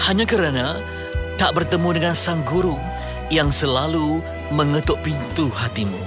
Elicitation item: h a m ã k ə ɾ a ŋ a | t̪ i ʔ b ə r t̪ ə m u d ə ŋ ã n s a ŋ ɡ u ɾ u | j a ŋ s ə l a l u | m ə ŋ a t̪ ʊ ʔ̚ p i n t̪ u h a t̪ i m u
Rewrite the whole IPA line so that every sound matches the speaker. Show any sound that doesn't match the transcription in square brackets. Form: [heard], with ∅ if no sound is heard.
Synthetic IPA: h a [ɲ] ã k ə ɾ a [n] a | t̪ [a] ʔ b ə r t̪ ə m u d ə ŋ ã n s a ŋ ɡ u ɾ u | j a ŋ s ə l a l u | m ə ŋ [ə] t̪ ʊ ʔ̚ p i n t̪ u h a t̪ i m u